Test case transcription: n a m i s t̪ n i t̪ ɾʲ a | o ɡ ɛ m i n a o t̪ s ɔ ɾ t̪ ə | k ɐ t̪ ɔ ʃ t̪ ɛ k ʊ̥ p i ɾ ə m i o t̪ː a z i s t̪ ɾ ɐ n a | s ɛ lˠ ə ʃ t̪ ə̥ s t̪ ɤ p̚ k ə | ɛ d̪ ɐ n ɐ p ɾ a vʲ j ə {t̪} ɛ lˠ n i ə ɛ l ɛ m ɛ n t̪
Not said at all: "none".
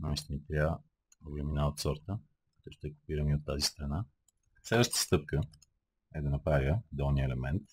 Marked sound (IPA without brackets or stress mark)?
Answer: d̪